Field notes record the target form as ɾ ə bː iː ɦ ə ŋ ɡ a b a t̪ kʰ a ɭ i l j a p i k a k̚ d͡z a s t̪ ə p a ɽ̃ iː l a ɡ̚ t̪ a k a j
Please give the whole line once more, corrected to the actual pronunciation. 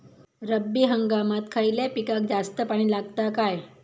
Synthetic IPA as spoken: ɾ ə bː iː ɦ ə ŋ ɡ a m a t̪ kʰ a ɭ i l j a p i k a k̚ d͡z a s t̪ ə p a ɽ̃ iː l a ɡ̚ t̪ a k a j

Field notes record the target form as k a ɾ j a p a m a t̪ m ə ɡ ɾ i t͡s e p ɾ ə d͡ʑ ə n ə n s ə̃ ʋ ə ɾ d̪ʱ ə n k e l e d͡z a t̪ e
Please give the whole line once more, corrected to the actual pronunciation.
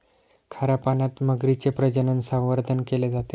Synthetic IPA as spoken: kʰ a ɾ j a p a n a t̪ m ə ɡ ɾ i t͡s e p ɾ ə d͡ʑ ə n ə n s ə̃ ʋ ə ɾ d̪ʱ ə n k e l e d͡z a t̪ e

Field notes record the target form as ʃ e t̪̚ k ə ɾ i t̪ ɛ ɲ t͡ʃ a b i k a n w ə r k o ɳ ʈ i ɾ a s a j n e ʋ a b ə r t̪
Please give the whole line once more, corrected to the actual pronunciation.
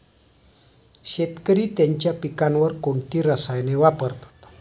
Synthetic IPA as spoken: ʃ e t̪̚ k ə ɾ i t̪ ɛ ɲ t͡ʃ a p i k a n w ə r k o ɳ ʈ i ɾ a s a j n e w a p ə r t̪

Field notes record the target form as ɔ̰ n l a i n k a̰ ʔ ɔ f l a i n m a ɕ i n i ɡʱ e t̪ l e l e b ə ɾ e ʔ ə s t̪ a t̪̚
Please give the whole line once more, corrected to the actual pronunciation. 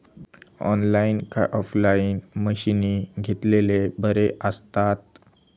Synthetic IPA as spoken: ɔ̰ n l a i n k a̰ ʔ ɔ f l a i n m ə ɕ i n i ɡʱ e t̪ l e l e b ə ɾ e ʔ ə s t̪ a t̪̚

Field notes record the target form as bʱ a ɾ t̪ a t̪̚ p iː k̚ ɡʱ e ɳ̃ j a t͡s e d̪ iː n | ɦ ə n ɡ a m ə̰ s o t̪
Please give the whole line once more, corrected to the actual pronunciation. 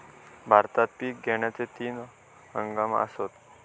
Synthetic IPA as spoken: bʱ a ɾ t̪ a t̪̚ p iː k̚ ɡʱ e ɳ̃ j a t͡s e t̪ iː n | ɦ ə ŋ ɡ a m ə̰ s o t̪

